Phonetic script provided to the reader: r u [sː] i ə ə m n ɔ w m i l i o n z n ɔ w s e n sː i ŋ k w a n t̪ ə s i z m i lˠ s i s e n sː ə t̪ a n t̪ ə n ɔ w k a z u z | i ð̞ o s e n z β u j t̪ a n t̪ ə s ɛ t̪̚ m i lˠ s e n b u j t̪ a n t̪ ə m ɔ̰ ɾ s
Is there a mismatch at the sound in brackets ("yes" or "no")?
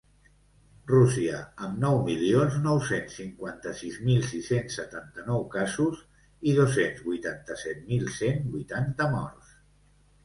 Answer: yes